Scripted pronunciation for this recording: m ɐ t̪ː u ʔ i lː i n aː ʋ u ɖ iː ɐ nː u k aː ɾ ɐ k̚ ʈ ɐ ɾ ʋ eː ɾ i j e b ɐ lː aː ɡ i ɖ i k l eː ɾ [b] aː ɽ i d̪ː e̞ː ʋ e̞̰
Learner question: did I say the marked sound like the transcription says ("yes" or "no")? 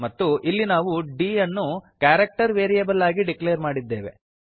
no